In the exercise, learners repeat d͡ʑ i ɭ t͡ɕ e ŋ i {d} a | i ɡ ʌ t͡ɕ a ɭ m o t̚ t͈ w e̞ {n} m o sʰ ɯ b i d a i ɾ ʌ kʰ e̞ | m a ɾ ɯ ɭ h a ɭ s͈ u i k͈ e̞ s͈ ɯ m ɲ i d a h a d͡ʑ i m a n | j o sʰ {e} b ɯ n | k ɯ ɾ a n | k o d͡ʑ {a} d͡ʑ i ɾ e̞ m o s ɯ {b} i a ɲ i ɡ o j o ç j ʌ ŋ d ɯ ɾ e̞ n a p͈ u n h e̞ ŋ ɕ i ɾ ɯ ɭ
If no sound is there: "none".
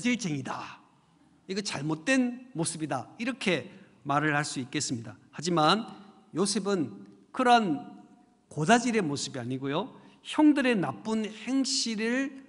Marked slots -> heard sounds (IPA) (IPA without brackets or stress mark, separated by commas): d, n, e, a, b